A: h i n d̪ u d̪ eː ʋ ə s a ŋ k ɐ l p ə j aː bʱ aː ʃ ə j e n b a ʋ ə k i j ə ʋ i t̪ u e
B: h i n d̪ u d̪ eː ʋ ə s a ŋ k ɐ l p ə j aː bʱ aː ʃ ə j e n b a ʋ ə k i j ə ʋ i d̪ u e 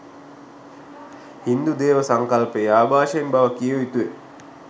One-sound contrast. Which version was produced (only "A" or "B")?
A